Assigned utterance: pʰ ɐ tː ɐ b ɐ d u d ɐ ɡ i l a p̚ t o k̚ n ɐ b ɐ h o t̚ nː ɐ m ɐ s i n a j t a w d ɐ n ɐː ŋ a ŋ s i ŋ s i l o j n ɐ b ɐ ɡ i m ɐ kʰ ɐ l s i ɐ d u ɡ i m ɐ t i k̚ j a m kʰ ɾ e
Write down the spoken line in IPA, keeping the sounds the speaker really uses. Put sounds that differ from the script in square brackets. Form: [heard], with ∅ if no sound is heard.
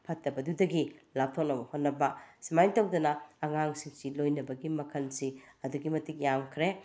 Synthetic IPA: pʰ ɐ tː ɐ b ɐ d u d ɐ ɡ i l a p̚ [tʰ] o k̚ n ɐ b ɐ h o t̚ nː ɐ [b] ɐ s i [m] a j t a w d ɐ n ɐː ŋ a ŋ s i ŋ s i l o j n ɐ b ɐ ɡ i m ɐ kʰ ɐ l s i ɐ d u ɡ i m ɐ t i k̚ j a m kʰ ɾ e

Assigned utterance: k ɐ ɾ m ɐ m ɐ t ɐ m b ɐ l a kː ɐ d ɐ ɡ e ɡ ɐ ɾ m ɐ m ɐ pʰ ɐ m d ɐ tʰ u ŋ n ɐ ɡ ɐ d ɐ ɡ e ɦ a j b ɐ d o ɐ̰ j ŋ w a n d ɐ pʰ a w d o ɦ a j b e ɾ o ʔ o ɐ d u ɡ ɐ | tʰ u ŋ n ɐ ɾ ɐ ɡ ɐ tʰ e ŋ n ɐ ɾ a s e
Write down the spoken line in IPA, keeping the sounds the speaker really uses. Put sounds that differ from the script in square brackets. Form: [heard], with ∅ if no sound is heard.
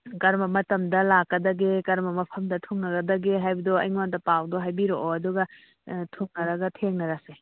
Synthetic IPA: k ɐ ɾ m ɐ m ɐ t ɐ m [d] ɐ l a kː ɐ d ɐ ɡ e [k] ɐ ɾ m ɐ m ɐ pʰ ɐ m d ɐ tʰ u ŋ n ɐ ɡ ɐ d ɐ ɡ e ɦ a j b ɐ d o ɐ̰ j ŋ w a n d ɐ [p] a w d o ɦ a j b [i] ɾ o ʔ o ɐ d u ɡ ɐ | tʰ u ŋ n ɐ ɾ ɐ ɡ ɐ tʰ e ŋ n ɐ ɾ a s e

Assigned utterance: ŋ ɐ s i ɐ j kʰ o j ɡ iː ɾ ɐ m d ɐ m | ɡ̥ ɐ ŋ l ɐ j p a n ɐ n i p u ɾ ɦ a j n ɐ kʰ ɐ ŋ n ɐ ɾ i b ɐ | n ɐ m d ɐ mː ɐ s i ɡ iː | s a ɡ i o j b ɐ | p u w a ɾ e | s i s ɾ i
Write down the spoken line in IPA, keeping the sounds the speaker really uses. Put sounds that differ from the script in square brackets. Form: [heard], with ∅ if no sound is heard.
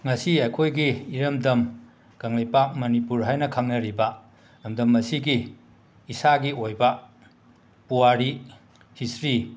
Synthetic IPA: ŋ ɐ s i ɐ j kʰ o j ɡ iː ɾ ɐ m d ɐ m | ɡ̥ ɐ ŋ l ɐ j p a [m] ɐ n i p u ɾ ɦ a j n ɐ kʰ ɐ ŋ n ɐ ɾ i b ɐ | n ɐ m d ɐ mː ɐ s i ɡ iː | s a ɡ i o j b ɐ | p u w a ɾ [i] | [h] i s ɾ i

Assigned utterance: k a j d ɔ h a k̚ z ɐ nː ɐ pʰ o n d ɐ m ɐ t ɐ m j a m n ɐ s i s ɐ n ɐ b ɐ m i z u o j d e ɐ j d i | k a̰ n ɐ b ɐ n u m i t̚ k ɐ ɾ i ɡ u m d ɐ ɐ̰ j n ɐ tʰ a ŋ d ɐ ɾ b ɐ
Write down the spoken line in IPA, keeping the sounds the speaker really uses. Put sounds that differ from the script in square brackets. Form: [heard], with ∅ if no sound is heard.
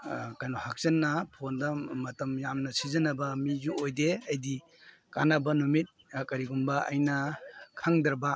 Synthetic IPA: k a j [n] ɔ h a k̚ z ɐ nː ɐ pʰ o n d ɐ m ɐ t ɐ m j a m n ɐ s i [z] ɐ n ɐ b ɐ m i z u o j d e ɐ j d i | k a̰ n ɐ b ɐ n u m i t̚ k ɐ ɾ i ɡ u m [b] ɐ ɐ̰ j n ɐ [kʰ] a ŋ d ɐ ɾ b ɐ

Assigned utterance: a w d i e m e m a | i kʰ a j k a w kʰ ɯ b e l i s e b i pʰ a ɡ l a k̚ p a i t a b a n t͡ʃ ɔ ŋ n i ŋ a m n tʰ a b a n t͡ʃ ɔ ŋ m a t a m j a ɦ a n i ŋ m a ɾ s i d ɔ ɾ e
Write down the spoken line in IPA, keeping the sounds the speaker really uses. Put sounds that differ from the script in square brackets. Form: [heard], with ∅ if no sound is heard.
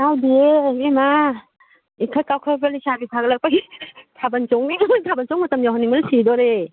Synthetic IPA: a w d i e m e m a | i kʰ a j k a w kʰ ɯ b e l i s [a] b i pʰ a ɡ l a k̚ p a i [tʰ] a b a n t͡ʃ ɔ ŋ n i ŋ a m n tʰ a b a n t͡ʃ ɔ ŋ m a t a m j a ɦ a n i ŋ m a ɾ s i d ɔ ɾ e

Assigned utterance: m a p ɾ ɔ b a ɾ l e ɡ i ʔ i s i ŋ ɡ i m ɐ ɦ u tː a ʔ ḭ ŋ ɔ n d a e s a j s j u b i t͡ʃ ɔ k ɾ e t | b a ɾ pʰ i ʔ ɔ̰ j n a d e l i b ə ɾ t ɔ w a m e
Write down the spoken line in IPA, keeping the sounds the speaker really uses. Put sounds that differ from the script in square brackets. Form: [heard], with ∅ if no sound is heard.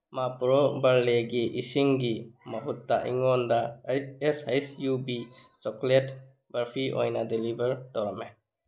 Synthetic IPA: m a p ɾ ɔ b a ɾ l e ɡ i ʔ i s i ŋ ɡ i m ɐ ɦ u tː a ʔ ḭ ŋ ɔ n d a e s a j s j u b i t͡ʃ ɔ k [l] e t | b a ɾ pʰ i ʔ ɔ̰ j n a d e l i b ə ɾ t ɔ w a m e

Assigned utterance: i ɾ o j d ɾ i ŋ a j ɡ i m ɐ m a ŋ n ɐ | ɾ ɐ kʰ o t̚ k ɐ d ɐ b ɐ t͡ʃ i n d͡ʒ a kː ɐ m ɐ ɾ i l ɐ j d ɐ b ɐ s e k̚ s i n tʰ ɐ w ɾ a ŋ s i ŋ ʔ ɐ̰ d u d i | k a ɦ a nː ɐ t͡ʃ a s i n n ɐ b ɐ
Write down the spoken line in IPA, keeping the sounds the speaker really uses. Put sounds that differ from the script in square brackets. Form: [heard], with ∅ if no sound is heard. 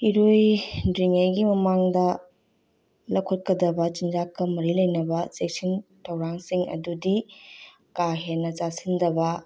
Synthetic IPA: i ɾ o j d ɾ i ŋ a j ɡ i m ɐ m a ŋ [d] ɐ | [l] ɐ kʰ o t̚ k ɐ d ɐ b ɐ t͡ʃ i n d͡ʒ a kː ɐ m ɐ ɾ i l ɐ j [n] ɐ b ɐ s e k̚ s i n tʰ ɐ w ɾ a ŋ s i ŋ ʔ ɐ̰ d u d i | k a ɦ [e] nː ɐ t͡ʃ a s i n [d] ɐ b ɐ

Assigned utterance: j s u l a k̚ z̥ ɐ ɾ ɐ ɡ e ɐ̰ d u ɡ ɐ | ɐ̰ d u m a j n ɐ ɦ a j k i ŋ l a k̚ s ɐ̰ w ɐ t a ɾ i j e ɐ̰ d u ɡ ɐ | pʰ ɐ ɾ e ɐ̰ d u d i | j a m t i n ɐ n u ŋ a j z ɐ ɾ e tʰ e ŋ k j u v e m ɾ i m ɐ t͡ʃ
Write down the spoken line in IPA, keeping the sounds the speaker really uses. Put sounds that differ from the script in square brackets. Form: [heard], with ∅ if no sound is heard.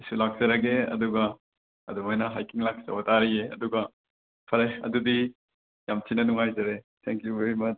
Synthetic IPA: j s u l a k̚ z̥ ɐ ɾ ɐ ɡ e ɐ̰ d u ɡ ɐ | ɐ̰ d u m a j n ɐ ɦ a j k i ŋ l a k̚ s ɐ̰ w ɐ t a ɾ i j e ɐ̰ d u ɡ ɐ | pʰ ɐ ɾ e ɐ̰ d u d i | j a m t i n ɐ n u ŋ a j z ɐ ɾ e tʰ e ŋ k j u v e [∅] ɾ i m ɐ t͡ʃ

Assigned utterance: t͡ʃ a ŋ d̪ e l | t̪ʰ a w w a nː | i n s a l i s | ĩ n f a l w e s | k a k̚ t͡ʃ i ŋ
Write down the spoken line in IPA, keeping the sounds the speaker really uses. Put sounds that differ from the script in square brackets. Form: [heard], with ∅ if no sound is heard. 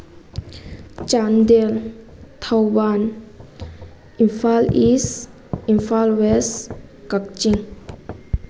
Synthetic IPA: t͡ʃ a [n] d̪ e l | t̪ʰ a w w a [n] | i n [f] a l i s | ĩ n f a l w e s | k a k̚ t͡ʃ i ŋ

